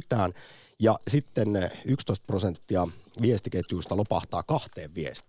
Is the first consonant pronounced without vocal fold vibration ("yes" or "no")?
yes